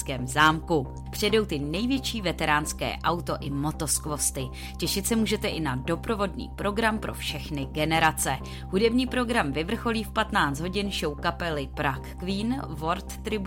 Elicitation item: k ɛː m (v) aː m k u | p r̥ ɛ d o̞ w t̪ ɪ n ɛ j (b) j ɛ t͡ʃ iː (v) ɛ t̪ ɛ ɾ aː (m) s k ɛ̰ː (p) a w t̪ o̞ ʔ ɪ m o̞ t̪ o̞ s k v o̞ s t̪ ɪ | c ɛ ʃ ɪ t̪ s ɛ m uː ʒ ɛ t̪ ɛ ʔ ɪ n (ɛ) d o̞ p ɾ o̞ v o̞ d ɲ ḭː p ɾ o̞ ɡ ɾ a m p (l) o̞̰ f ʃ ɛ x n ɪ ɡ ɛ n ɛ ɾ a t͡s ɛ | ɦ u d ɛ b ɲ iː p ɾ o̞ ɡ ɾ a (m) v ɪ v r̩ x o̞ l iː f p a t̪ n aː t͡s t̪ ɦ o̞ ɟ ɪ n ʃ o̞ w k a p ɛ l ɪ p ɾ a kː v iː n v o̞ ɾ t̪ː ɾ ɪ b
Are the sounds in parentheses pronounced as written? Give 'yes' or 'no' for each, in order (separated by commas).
no, no, yes, no, no, no, no, yes